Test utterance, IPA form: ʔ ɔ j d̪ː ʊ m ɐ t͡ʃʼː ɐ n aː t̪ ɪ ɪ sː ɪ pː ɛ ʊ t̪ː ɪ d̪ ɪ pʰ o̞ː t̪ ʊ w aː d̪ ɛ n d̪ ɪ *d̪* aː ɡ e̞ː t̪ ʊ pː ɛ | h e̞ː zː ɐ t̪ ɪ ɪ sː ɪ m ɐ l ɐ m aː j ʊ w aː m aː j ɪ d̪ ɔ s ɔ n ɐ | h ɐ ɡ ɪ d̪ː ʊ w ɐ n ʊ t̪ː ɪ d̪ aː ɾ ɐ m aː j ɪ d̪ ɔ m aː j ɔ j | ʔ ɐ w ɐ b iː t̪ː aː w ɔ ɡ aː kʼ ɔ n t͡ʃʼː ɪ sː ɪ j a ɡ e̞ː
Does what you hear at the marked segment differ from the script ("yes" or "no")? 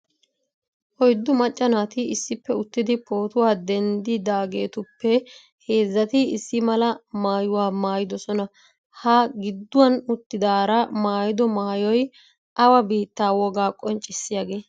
no